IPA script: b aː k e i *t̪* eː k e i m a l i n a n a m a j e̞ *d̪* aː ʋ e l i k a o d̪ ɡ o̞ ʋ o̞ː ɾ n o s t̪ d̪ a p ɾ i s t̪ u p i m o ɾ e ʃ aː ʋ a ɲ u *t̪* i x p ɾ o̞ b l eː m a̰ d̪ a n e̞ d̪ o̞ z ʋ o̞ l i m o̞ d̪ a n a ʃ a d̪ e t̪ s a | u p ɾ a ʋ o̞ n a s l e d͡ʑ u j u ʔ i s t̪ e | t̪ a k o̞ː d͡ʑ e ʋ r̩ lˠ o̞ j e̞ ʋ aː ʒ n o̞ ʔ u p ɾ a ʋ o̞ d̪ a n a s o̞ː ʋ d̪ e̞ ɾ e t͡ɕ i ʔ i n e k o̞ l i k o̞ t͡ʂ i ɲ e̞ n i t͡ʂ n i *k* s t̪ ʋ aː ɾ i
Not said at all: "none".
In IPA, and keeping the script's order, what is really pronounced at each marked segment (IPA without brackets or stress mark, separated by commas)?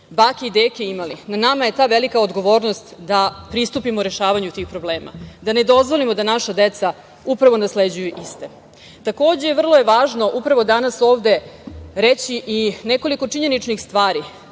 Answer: d̪, t̪, t̪, x